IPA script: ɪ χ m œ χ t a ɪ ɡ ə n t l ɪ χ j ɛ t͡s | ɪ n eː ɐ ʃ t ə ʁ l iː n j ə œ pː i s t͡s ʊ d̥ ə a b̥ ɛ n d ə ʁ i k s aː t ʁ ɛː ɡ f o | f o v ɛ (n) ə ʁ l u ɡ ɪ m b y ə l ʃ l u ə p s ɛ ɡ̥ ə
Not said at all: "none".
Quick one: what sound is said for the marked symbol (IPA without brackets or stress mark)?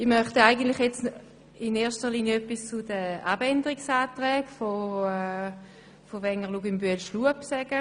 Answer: ŋ